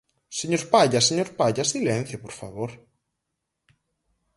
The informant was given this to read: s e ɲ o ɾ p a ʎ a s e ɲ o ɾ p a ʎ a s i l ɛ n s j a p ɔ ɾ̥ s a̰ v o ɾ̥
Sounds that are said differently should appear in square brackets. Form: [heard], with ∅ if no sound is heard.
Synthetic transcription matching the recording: s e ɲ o ɾ p a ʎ a s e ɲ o ɾ p a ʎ a s i l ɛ n [θ] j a p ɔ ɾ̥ [f] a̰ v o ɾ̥